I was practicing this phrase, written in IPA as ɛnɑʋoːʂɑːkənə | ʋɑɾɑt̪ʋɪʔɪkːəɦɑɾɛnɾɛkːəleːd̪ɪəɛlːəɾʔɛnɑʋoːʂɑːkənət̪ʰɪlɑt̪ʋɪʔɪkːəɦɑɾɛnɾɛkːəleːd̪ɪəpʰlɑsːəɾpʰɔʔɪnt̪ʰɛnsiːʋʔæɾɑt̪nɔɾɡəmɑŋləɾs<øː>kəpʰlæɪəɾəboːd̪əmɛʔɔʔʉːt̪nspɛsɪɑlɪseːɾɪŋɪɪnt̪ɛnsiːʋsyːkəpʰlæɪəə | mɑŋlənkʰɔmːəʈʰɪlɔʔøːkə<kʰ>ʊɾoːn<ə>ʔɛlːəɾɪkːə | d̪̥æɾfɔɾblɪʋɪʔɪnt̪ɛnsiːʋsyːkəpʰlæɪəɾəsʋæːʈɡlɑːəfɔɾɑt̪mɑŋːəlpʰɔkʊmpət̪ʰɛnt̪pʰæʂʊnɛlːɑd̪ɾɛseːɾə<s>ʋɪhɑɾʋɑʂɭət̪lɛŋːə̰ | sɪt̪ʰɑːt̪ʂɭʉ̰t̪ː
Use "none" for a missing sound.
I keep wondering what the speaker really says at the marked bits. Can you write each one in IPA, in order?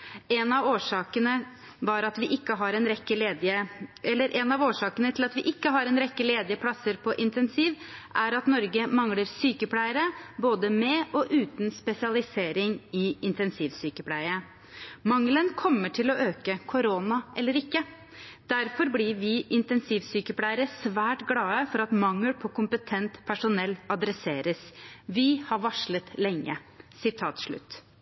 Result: yː, kʰ, ɑ, s

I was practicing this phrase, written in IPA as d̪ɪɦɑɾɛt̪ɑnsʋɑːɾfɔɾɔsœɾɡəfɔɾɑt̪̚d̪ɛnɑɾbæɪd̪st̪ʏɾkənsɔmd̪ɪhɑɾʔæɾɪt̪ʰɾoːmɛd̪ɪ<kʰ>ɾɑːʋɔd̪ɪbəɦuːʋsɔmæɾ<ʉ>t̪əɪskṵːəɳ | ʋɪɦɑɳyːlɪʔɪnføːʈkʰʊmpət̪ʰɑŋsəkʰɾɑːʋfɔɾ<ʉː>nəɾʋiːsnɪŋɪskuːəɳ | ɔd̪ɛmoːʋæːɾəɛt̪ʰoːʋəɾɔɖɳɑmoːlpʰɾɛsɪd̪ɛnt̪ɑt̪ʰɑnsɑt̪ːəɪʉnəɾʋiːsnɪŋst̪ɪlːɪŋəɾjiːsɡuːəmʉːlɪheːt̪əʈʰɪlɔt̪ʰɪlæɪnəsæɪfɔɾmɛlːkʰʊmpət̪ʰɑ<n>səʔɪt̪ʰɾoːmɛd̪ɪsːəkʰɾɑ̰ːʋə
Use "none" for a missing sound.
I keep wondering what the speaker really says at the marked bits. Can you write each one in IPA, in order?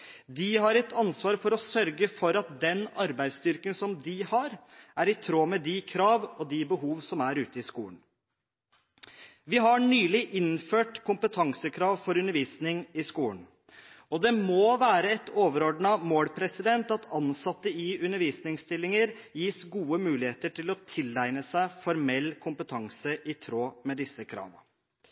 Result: kʰ, ʉː, ʉ, ŋ

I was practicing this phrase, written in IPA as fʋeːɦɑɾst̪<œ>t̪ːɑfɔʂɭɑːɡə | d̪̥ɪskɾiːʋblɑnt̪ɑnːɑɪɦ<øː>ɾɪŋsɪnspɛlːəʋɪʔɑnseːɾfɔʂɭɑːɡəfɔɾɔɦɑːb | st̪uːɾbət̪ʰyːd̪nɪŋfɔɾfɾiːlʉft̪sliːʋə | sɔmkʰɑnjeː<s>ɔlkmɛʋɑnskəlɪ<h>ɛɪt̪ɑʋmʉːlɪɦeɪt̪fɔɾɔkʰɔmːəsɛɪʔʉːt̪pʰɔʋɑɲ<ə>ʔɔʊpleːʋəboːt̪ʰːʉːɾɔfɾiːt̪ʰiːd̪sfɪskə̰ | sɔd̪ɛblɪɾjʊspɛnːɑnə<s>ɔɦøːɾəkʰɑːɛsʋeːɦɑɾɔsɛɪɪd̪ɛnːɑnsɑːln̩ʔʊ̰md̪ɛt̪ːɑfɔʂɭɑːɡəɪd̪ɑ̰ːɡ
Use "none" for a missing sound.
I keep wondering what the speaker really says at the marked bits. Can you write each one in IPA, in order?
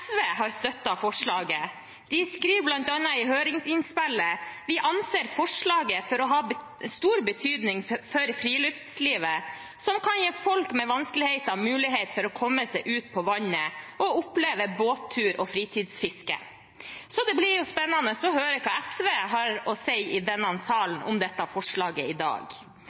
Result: œ, øː, f, h, ə, s

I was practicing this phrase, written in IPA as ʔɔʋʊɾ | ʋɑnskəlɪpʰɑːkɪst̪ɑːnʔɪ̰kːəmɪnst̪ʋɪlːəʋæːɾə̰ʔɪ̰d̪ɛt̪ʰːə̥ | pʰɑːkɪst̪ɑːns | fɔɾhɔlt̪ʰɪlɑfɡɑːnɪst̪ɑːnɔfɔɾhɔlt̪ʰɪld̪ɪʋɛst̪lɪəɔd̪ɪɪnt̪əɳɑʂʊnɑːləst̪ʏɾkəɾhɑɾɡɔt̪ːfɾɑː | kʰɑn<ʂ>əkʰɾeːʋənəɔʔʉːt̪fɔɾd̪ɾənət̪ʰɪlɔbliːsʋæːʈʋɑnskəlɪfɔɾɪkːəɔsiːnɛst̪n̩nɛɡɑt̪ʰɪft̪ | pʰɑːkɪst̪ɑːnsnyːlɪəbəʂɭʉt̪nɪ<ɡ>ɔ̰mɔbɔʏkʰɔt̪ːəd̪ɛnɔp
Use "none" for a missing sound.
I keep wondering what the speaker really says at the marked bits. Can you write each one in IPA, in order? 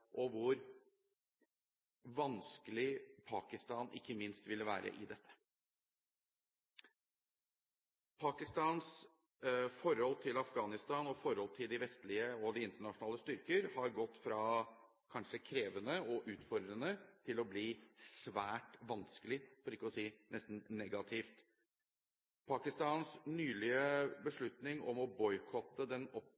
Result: ʂ, ŋ

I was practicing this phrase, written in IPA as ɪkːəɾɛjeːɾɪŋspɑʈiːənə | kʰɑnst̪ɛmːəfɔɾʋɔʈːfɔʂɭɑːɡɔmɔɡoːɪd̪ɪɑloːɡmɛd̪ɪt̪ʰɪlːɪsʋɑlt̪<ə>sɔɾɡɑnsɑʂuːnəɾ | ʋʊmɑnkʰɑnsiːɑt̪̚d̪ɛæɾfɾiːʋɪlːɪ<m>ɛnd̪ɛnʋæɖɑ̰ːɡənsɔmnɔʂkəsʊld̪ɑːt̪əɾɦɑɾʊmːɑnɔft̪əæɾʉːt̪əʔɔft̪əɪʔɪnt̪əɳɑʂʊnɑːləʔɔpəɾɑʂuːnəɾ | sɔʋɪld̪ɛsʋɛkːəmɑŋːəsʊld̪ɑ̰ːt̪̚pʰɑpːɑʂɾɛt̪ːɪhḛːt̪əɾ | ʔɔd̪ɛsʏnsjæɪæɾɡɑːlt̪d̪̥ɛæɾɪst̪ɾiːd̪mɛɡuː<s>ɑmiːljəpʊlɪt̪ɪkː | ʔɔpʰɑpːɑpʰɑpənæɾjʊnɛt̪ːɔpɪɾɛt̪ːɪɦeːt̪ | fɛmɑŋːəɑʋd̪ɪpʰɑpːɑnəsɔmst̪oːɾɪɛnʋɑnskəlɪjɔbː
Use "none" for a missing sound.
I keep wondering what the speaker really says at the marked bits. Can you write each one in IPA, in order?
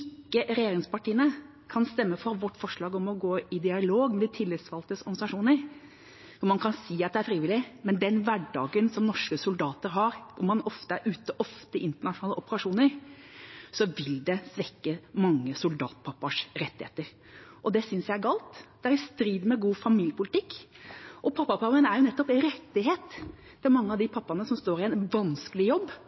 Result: ə, m, f

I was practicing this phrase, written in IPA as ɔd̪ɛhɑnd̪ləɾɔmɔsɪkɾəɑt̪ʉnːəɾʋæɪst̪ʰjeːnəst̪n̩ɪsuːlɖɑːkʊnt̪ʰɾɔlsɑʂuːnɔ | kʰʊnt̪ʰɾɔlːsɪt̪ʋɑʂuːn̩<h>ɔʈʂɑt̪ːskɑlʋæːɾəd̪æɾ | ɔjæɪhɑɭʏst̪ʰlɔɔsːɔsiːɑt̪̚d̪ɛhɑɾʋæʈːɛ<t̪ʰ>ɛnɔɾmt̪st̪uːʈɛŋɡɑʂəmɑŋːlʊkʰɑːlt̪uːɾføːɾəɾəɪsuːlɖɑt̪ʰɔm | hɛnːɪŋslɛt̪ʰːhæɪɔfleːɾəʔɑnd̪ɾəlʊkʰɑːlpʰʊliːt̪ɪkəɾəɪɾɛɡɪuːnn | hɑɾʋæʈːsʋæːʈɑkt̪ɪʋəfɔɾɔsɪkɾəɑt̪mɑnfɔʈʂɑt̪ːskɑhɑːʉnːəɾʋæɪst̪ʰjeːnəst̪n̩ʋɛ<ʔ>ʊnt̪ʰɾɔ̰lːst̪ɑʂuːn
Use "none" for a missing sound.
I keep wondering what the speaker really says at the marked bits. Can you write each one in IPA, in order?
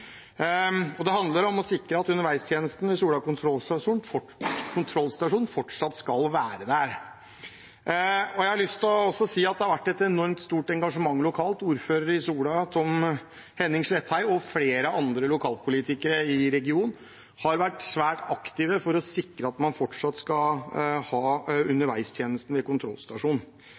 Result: f, t̪, k

